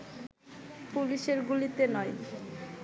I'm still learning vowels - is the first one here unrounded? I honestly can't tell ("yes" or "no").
no